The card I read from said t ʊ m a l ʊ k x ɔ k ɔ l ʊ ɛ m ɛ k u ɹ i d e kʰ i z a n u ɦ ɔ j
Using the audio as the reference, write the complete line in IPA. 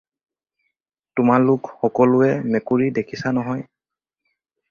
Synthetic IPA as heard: t ʊ m a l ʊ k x ɔ k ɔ l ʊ ɛ m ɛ k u ɹ i d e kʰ i s a n ɔ ɦ ɔ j